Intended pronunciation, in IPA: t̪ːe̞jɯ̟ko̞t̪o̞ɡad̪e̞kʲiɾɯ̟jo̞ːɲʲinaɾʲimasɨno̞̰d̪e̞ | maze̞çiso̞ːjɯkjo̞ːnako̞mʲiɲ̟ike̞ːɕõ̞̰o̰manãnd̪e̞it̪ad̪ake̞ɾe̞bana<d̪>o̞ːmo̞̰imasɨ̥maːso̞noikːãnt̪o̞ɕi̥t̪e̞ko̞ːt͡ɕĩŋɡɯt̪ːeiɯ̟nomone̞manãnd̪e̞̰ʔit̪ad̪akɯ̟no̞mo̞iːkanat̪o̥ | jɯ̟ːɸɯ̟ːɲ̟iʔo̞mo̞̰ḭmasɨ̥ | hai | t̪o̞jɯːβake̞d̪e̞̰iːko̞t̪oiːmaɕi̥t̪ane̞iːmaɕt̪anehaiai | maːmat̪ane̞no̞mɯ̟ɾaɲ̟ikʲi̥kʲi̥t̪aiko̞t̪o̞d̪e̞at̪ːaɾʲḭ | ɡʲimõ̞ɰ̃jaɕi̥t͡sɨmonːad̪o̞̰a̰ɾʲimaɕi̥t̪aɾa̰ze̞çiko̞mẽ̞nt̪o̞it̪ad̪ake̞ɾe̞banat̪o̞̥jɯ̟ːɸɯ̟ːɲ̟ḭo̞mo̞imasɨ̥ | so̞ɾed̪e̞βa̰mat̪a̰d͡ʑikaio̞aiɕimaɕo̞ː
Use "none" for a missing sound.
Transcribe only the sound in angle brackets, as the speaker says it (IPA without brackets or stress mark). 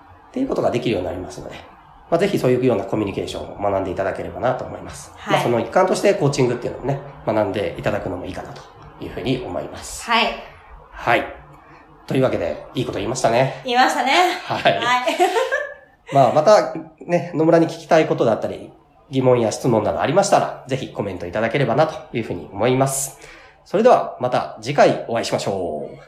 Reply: t̪